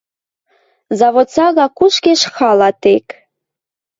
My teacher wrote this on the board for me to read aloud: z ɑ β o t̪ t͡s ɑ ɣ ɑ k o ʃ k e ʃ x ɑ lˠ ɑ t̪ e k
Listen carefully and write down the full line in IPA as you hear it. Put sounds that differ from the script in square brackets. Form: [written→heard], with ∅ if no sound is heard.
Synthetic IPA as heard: z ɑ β o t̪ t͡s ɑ ɣ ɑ k [o→u] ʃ k e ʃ x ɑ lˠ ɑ t̪ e k